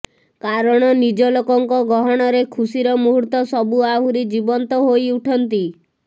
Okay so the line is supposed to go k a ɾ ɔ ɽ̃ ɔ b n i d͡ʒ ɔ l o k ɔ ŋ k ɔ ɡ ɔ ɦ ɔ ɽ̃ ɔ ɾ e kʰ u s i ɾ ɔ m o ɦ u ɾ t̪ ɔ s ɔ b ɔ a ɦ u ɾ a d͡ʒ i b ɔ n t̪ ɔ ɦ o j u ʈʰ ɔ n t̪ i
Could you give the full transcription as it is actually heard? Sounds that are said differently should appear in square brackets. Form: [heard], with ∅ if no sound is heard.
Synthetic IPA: k a ɾ ɔ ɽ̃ ɔ [∅] n i d͡ʒ ɔ l o k ɔ ŋ k ɔ ɡ ɔ ɦ ɔ ɽ̃ ɔ ɾ e kʰ u s i ɾ ɔ m [u] ɦ u ɾ t̪ ɔ s ɔ b [u] a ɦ u ɾ [i] d͡ʒ i b ɔ n t̪ ɔ ɦ o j u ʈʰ ɔ n t̪ i